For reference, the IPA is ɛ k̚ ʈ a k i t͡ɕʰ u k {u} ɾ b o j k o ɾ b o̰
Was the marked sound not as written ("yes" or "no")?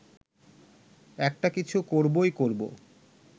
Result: yes